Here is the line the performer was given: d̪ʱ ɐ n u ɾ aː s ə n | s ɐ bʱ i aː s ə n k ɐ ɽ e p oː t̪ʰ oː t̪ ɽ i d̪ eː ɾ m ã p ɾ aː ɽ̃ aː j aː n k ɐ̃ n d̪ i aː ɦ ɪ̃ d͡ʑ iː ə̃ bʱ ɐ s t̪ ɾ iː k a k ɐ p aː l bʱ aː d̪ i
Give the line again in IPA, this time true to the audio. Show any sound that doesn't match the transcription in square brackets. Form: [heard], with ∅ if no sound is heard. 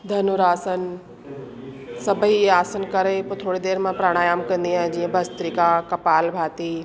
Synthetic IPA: d̪ʱ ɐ n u ɾ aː s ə n | s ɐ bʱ i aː s ə n k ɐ [ɾ] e p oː t̪ʰ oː [∅] ɽ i d̪ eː ɾ m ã p ɾ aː ɽ̃ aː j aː [m] k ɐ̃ n d̪ i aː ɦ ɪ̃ d͡ʑ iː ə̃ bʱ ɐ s t̪ ɾ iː k a k ɐ p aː l bʱ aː [t̪] i

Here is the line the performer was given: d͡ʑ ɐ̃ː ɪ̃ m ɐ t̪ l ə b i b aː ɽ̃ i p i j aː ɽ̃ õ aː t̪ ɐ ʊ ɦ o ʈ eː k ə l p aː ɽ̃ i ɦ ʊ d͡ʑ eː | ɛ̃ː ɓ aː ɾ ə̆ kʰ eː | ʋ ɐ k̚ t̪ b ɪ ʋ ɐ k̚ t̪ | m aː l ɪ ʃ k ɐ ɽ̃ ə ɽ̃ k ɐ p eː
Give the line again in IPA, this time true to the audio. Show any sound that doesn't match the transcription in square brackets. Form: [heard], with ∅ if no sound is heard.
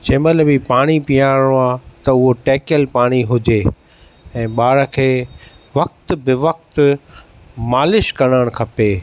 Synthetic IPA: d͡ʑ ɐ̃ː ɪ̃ m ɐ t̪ l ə b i [p] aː ɽ̃ i p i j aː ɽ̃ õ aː t̪ ɐ ʊ ɦ o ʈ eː k ə l p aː ɽ̃ i ɦ ʊ d͡ʑ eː | ɛ̃ː ɓ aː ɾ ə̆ kʰ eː | ʋ ɐ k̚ t̪ b ɪ ʋ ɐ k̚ t̪ | m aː l ɪ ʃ k ɐ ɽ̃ ə ɽ̃ [kʰ] ɐ p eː

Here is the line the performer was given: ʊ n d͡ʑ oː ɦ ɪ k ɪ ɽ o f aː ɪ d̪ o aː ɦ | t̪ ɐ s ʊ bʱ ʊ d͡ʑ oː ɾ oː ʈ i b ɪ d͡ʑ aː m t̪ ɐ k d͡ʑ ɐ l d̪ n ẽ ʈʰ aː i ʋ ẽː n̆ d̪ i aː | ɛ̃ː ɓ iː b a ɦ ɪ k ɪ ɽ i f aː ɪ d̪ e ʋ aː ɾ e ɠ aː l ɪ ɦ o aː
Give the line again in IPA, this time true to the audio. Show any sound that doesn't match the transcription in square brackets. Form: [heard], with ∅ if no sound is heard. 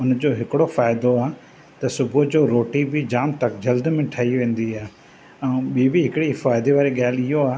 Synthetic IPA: ʊ n d͡ʑ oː ɦ ɪ k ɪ ɽ o f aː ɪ d̪ o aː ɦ | t̪ ɐ s ʊ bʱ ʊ d͡ʑ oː ɾ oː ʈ i b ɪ d͡ʑ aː m t̪ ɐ k d͡ʑ ɐ l d̪ [m] ẽ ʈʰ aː i ʋ ẽː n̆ d̪ i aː | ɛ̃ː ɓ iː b [i] ɦ ɪ k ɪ ɽ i f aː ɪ d̪ e ʋ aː ɾ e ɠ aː l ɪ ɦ o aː

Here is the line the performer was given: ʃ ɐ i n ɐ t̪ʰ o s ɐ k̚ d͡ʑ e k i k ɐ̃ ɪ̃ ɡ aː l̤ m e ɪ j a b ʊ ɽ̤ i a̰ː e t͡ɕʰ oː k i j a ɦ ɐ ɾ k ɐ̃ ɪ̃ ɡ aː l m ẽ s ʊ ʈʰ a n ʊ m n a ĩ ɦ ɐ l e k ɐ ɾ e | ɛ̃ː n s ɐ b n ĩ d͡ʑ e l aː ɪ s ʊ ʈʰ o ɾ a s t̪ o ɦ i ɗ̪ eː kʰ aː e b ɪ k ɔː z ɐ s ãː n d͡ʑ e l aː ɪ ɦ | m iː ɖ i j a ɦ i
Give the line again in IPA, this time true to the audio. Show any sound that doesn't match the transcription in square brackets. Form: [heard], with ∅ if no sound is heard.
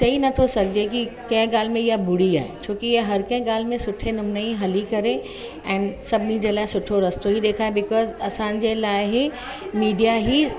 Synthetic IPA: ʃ ɐ i n ɐ t̪ʰ o s ɐ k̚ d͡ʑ e k i k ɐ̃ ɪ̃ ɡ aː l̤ m [ẽ] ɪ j a b ʊ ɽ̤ i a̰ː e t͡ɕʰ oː k i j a ɦ ɐ ɾ k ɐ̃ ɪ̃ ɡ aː l m ẽ s ʊ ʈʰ [e] n ʊ m n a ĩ ɦ ɐ l [i] k ɐ ɾ e | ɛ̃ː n s ɐ b n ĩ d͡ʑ e l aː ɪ s ʊ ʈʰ o ɾ [ɐ] s t̪ o ɦ i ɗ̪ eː kʰ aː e b ɪ k ɔː z ɐ s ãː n d͡ʑ e l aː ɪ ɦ | m iː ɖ i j a ɦ i

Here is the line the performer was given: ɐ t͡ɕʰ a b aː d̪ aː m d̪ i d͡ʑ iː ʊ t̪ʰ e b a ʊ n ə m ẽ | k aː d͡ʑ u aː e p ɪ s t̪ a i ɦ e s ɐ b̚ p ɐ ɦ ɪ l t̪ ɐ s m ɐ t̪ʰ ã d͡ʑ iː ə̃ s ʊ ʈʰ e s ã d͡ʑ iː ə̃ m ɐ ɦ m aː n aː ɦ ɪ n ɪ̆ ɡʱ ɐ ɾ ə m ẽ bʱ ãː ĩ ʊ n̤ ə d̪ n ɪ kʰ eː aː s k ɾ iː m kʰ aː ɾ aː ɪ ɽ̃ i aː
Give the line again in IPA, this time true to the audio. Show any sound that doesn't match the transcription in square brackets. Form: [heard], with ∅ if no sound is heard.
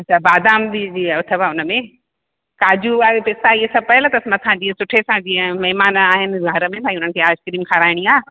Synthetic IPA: ɐ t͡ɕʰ a b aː d̪ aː m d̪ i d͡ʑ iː ʊ t̪ʰ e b a ʊ n ə m ẽ | k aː d͡ʑ u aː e p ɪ s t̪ a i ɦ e s ɐ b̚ p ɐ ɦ ɪ l t̪ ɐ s m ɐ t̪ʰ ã d͡ʑ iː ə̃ s ʊ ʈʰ e s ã d͡ʑ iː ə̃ m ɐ ɦ m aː n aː ɦ ɪ n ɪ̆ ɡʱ ɐ ɾ ə m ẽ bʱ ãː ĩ ʊ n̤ ə [∅] n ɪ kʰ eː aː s k ɾ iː m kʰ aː ɾ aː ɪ ɽ̃ i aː

